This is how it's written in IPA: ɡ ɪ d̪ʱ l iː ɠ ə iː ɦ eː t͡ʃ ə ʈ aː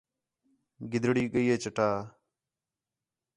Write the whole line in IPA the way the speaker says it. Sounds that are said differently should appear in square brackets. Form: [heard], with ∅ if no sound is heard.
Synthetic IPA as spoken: ɡ ɪ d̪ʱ [ɽ] iː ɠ ə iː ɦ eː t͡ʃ ə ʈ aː